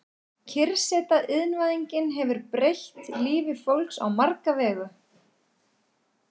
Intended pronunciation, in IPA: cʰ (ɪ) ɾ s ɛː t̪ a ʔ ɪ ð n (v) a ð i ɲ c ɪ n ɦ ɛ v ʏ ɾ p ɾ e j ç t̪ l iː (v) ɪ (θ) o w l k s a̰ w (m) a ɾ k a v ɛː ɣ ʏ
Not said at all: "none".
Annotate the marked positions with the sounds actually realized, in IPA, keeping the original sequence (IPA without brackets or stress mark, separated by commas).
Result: ɪ, v, v, f, m